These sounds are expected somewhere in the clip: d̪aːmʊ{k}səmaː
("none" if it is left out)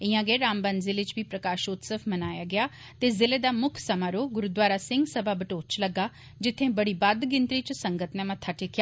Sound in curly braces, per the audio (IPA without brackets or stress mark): kʰ